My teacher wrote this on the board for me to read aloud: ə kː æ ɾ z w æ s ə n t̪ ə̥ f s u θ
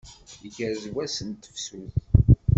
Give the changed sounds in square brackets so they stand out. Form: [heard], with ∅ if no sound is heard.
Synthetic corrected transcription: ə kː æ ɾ z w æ s ə n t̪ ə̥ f s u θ